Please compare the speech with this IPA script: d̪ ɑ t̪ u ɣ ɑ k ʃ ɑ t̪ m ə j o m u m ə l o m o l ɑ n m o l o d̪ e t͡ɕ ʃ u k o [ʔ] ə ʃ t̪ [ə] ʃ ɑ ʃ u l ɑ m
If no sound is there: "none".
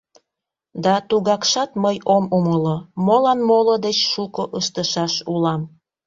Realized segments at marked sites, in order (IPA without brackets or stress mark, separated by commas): ʔ, ə